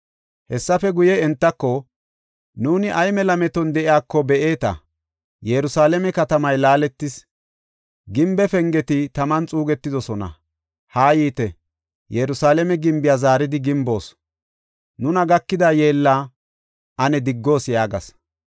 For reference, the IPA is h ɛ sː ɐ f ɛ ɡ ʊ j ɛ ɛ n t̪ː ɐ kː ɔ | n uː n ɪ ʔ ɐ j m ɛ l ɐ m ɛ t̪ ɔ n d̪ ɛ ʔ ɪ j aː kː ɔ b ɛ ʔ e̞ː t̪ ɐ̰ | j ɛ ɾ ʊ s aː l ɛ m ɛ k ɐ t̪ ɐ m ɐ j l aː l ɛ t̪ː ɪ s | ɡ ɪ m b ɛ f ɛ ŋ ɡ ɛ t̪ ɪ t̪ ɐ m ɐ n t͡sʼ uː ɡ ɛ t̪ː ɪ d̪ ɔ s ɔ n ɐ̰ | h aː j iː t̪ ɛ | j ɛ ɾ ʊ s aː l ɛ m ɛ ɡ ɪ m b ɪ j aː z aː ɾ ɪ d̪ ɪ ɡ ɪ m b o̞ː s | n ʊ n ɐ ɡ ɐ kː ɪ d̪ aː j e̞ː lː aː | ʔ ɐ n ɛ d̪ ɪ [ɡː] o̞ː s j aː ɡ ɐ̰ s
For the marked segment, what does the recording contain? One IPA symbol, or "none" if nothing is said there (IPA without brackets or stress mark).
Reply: ɡː